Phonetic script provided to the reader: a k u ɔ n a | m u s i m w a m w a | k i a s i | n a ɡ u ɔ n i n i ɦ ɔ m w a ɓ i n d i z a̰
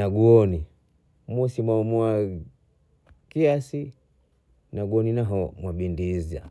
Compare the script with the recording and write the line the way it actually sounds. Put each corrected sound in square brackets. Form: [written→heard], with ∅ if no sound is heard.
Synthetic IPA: a [k→ɡ] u ɔ n [a→i] | m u s i m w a m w a | k i a s i | n a ɡ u ɔ n i n [i→a] ɦ ɔ m w a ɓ i n d i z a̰

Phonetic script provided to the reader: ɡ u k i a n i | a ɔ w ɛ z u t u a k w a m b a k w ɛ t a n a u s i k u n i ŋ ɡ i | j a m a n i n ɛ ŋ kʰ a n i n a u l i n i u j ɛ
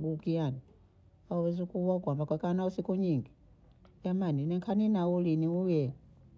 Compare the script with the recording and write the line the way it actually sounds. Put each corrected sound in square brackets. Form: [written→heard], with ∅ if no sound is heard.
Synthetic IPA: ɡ u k i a n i | a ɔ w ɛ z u [t→k] u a k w a m b a k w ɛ [t→k] a n a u s i k u [n→ɲ] i ŋ ɡ i | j a m a n i n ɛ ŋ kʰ a n i n a u l i n i u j ɛ

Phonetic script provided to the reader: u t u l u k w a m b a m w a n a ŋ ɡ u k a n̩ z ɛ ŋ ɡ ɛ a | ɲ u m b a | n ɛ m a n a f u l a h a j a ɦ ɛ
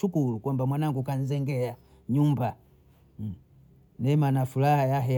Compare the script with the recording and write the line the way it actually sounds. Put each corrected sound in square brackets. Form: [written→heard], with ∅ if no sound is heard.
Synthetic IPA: u [t→k] u l u k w a m b a m w a n a ŋ ɡ u k a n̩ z ɛ ŋ ɡ ɛ a | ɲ u m b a | n ɛ m a n a f u l a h a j a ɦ ɛ

